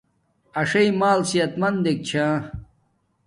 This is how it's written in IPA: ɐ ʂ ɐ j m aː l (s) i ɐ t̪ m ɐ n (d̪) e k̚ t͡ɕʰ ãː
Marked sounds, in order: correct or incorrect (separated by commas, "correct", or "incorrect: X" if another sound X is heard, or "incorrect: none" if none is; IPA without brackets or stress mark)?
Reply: correct, correct